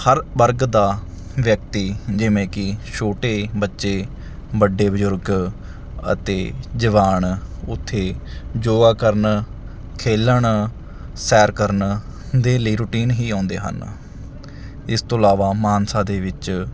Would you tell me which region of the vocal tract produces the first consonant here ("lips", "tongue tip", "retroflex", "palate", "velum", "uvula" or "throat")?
throat